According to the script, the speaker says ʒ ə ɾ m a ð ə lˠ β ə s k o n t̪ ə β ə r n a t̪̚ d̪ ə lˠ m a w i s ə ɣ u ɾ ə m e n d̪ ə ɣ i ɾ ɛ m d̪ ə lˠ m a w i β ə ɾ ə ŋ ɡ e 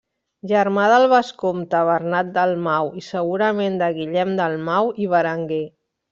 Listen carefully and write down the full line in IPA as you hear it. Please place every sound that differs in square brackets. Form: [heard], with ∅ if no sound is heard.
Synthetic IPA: ʒ ə ɾ m a ð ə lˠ β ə s k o [m] t̪ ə β ə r n a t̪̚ d̪ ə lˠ m a w i s ə ɣ u ɾ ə m e n d̪ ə ɣ i [ʎ] ɛ m d̪ ə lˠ m a w i β ə ɾ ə ŋ ɡ e